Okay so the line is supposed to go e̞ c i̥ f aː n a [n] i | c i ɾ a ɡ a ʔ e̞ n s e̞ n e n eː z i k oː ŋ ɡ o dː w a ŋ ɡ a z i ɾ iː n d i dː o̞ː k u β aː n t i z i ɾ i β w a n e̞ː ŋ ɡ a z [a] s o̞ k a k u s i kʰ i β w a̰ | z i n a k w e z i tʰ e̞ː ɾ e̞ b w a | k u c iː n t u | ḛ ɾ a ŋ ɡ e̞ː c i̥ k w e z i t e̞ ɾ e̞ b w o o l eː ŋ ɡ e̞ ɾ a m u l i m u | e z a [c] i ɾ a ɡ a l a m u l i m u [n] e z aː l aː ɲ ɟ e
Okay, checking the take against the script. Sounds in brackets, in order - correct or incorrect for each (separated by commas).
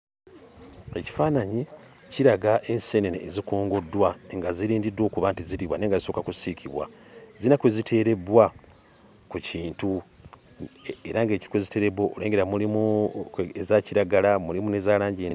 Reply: incorrect, incorrect, correct, correct